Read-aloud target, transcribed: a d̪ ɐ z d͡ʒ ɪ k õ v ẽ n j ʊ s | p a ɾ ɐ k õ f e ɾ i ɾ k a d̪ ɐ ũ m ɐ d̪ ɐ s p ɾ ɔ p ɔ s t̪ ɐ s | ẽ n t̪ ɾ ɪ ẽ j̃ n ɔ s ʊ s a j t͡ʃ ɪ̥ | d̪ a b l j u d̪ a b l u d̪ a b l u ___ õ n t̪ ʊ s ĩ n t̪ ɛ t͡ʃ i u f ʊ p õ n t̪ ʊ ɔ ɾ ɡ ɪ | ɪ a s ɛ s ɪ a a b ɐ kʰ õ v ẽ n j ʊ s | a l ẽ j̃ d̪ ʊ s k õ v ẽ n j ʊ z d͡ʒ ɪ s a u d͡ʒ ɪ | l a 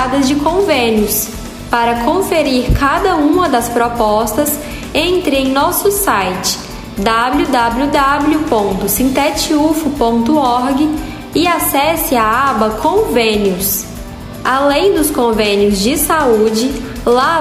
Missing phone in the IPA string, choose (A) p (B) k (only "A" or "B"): A